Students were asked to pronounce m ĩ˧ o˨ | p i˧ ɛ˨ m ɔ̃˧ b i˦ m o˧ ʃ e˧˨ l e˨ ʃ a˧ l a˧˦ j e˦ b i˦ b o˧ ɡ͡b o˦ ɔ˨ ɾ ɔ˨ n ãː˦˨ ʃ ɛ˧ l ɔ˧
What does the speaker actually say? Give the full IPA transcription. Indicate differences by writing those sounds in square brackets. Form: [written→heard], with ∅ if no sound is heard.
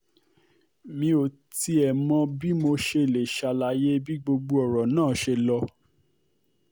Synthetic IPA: m ĩ˧ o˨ | [p→t] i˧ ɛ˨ m ɔ̃˧ b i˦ m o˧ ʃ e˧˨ l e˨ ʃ a˧ l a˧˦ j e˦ b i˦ [b→ɡ͡b] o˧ ɡ͡b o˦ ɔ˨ ɾ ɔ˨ n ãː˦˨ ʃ [ɛ˧→e˧] l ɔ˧